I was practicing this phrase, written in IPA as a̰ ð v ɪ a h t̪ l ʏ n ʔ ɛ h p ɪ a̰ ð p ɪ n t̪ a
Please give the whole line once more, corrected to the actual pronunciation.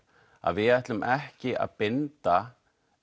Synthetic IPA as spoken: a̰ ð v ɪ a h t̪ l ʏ m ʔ ɛ h c ɪ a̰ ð p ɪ n t̪ a

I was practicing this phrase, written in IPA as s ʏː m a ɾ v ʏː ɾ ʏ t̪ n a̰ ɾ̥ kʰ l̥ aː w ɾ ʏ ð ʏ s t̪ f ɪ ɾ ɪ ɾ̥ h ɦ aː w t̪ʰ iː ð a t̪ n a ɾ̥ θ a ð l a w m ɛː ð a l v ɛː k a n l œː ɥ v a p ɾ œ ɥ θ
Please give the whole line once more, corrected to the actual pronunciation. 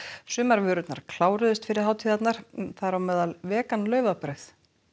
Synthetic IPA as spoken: s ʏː m a ɾ v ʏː ɾ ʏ t̪ n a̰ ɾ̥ kʰ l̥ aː w ɾ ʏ ð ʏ s t̪ f ɪ ɾ ɪ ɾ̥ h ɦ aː w t̪ʰ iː ð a t̪ n a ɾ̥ θ a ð ɾ a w m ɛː ð a l v ɛː k a n l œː ɥ v a p ɾ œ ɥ θ

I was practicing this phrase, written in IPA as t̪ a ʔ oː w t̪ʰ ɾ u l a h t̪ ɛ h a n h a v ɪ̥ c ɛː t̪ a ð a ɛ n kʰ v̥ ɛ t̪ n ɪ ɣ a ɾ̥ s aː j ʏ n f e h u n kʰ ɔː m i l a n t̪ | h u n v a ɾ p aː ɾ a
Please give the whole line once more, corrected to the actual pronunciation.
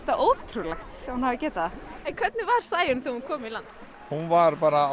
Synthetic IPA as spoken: t̪ a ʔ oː w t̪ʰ ɾ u l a x t̪ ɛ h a n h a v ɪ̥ c ɛː t̪ a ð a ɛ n kʰ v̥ ɛ t̪ n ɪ v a ɾ̥ s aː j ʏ n θ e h u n kʰ ɔː m i l a n t̪ | h u n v a ɾ p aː ɾ a

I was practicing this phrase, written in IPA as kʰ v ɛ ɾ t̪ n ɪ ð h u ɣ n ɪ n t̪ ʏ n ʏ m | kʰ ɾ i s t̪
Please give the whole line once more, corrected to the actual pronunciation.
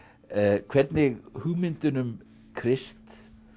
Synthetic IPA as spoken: kʰ v ɛ ɾ t̪ n ɪ ɣ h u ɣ m ɪ n t̪ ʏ n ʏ m | kʰ ɾ ɪ s t̪

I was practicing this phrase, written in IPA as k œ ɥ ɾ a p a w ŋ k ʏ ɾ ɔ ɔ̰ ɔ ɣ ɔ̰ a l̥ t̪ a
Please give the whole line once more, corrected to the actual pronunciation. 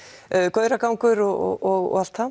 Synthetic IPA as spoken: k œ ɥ ɾ a k a w ŋ k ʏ ɾ ɔ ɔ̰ ɔ ɣ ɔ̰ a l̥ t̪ a

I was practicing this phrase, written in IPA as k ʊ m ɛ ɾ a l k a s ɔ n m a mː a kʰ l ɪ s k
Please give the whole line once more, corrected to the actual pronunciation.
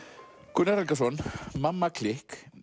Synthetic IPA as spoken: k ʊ n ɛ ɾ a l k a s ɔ n m a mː a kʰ l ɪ h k

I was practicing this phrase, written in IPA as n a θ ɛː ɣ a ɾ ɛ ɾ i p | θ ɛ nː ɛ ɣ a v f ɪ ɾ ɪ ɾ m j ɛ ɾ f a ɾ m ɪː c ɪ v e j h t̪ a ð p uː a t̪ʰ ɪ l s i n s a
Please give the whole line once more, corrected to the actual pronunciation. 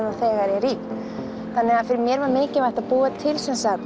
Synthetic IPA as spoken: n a θ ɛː ɣ a ɾ ɛ ɾ i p | θ a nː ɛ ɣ a ð f ɪ ɾ ɪ ɾ m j ɛ ɾ v a ɾ m ɪː c ɪ v a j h t̪ a ð p uː a t̪ʰ ɪ l s ɛ n s a

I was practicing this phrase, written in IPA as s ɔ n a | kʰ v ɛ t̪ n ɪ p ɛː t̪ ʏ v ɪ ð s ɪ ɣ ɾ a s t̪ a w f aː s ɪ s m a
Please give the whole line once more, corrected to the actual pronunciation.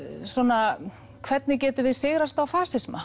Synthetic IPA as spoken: s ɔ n a | kʰ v ɛ t̪ n ɪ c ɛː t̪ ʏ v ɪ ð s ɪ ɣ ɾ a s t̪ a w f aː s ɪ s m a

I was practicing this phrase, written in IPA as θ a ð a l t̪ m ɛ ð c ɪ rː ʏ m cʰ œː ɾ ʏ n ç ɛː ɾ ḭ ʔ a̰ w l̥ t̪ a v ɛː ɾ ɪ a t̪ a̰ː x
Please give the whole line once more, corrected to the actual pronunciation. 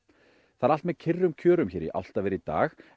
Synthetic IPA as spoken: θ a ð a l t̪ m ɛ ð cʰ ɪ rː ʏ m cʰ œː ɾ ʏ m ç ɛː ɾ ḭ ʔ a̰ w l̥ t̪ a v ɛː ɾ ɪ i t̪ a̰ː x

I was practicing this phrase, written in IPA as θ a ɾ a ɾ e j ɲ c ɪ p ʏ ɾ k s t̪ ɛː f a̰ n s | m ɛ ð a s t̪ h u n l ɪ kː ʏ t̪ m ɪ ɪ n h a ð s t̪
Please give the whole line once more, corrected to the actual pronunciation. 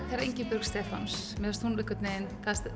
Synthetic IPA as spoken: θ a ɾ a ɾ e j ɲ c ɪ p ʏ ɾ k s t̪ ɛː f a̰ n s | m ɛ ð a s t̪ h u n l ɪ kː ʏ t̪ n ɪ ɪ n θ a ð s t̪

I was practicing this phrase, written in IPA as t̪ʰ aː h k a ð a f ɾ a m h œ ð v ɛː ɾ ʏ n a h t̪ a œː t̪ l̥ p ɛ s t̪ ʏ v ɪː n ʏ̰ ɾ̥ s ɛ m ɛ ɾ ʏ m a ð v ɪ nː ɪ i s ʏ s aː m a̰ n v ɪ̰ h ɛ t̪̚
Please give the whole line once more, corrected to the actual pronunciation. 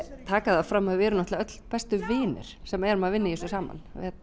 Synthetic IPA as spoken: t̪ʰ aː k a ð a f ɾ a m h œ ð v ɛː ɾ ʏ n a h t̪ a œ t̪ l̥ p ɛ s t̪ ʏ v ɪː n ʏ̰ ɾ̥ s ɛ m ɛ ɾ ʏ m a ð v ɪ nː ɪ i s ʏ s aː m a̰ n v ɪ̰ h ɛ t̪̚

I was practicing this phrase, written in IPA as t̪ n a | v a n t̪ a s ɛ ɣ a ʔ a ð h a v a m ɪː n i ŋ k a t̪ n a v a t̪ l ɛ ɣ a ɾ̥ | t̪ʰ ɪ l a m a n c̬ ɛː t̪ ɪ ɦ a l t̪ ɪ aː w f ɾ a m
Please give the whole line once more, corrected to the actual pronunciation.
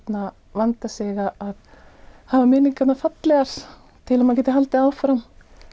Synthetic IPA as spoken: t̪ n a | v a n t̪ a s ɛ ɣ a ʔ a ð h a v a m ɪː n i ŋ k a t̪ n a f a t̪ l ɛ ɣ a ɾ̥ | t̪ʰ ɪ l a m a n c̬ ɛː t̪ ɪ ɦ a l t̪ ɪ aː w f ɾ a m

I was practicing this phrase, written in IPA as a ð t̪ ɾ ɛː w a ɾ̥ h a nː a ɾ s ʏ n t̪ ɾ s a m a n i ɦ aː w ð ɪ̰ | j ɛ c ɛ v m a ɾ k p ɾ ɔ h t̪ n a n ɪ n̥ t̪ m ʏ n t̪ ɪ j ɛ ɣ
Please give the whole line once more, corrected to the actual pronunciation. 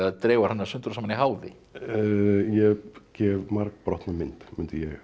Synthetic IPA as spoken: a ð t̪ ɾ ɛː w a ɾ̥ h a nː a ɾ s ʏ n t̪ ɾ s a m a n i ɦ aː w ð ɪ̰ | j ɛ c ɛ v m a ɾ k p ɾ ɔ h t̪ n a m ɪ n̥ t̪ m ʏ n t̪ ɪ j ɛ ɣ

